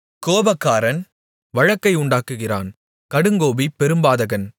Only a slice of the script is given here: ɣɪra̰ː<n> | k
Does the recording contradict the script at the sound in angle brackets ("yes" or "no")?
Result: no